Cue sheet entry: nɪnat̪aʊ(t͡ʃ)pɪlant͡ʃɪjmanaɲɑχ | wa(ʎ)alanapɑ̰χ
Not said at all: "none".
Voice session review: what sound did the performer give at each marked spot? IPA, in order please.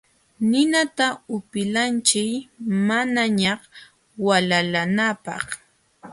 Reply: none, l

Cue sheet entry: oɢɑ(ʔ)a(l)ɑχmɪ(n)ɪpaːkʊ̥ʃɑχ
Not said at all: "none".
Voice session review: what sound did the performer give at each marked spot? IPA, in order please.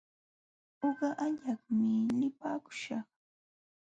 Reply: ʔ, ʎ, n

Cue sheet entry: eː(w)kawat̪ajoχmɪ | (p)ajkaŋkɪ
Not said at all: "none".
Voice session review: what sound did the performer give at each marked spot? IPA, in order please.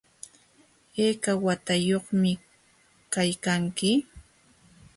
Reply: none, k

